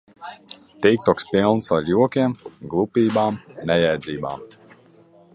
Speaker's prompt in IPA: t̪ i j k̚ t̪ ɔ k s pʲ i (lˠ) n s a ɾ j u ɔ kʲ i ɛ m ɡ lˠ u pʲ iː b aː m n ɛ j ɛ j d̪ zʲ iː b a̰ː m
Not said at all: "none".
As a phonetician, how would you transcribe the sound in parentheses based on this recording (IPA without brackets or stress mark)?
lˠ